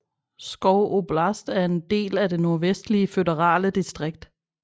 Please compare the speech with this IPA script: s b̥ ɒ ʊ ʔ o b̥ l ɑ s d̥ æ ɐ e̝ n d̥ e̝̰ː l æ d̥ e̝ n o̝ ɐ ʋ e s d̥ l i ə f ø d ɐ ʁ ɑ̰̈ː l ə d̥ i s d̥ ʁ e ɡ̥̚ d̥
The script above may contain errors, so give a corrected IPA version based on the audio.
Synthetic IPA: s ɡ̥ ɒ ʊ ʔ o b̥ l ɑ s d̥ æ ɐ e̝ n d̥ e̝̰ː l æ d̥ e̝ n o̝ ɐ ʋ e s d̥ l i ə f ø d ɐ ʁ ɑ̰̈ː l ə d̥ i s d̥ ʁ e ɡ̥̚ d̥